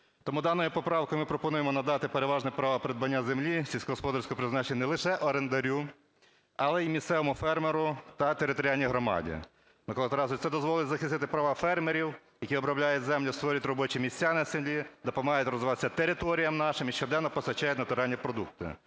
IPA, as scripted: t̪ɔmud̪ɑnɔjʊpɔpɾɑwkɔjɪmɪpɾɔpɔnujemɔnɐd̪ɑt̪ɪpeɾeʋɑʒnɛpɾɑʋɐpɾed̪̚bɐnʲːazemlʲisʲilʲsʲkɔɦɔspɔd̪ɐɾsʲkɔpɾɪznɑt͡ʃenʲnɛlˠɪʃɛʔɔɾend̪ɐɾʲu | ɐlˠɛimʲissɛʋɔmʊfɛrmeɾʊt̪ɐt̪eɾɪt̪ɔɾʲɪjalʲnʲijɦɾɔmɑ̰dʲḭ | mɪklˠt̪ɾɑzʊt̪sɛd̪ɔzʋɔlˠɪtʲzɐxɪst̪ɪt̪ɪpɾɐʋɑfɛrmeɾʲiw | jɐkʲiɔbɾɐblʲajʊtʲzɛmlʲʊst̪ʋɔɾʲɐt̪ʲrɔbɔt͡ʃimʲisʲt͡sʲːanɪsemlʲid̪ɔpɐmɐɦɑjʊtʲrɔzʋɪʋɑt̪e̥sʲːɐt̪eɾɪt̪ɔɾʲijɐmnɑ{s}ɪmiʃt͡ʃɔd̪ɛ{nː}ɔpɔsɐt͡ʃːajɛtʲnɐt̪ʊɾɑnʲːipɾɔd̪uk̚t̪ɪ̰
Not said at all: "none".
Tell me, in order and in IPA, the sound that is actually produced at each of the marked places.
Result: ʃ, nː

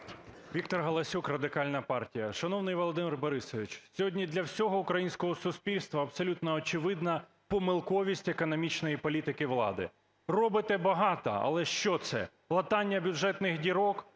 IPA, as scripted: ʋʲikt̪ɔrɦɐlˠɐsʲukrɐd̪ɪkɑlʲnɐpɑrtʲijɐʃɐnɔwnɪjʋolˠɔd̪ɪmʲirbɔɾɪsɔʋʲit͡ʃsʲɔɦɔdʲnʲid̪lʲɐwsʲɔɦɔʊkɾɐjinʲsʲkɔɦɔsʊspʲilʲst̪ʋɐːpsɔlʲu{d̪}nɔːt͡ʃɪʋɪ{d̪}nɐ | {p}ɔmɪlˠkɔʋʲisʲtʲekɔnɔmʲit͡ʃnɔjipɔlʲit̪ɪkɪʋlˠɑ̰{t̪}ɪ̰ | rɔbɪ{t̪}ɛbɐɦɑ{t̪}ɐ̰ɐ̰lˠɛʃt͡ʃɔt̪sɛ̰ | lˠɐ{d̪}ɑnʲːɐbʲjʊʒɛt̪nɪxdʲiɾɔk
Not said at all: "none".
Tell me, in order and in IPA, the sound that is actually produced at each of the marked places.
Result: t̪, d̪, p, d̪, t̪, t̪, t̪

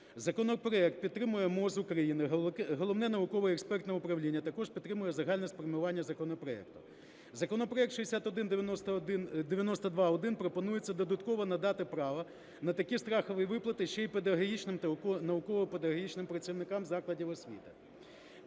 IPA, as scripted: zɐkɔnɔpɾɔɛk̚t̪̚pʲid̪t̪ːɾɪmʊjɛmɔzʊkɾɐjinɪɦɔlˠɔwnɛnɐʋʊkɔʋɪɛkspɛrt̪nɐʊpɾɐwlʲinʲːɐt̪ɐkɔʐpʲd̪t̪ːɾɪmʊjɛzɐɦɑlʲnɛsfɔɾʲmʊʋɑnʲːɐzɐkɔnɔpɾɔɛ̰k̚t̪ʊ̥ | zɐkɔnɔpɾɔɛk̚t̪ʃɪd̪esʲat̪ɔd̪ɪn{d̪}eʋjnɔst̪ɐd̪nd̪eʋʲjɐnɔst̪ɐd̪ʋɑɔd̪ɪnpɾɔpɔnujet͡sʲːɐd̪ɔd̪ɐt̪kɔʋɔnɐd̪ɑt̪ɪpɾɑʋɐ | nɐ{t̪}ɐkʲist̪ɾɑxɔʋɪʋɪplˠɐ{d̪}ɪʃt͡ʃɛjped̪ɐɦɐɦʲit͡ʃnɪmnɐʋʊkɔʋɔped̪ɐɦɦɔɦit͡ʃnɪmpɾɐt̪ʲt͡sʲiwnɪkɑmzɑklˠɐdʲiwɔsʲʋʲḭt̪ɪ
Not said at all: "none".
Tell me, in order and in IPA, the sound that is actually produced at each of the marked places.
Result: d̪, t̪, t̪

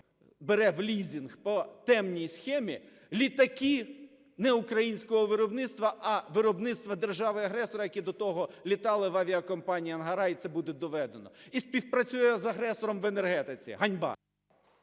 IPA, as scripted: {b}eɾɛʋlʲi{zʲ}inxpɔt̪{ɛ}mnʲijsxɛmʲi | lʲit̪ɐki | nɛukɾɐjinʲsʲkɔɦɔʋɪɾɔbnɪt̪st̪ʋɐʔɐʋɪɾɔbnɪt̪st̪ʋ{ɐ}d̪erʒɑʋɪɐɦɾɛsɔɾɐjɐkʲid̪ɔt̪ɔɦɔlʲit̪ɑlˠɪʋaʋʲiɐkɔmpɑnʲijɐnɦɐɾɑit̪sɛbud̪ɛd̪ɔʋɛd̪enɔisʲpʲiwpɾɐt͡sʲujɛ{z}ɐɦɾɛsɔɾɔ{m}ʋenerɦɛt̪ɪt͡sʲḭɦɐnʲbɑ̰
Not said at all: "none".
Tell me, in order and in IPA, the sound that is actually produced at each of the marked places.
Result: b, zʲ, ɛ, ɐ, z, m

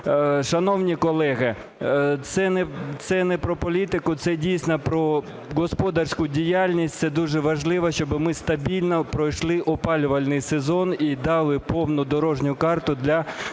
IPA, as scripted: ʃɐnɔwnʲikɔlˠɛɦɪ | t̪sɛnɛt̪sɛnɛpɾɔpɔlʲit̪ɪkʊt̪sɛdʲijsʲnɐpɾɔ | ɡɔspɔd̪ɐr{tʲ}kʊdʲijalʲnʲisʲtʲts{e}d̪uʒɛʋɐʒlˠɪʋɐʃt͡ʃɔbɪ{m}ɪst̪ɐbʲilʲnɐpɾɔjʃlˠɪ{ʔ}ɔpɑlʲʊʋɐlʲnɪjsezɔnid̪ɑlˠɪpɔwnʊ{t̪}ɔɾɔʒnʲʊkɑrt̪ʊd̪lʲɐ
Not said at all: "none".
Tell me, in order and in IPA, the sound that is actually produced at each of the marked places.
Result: sʲ, ɛ, m, ʔ, d̪

